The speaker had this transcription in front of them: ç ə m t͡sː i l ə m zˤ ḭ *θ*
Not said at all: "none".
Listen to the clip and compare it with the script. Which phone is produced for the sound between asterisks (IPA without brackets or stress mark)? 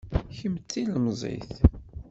θ